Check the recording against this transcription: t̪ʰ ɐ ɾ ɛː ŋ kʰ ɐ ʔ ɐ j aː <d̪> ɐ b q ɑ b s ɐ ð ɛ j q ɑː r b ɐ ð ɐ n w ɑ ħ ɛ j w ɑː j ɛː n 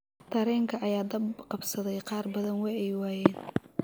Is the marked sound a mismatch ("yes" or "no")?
no